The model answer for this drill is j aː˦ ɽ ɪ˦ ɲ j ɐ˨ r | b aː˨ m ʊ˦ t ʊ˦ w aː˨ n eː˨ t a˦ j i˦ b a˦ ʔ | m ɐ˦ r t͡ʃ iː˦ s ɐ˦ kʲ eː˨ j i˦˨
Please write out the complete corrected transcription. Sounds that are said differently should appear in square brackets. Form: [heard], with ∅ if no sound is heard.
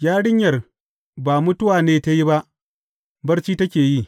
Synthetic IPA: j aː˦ ɽ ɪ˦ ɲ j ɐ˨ r | b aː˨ m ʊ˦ t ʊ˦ w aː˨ n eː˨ t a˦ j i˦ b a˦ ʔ | [b] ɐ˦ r t͡ʃ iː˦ [t] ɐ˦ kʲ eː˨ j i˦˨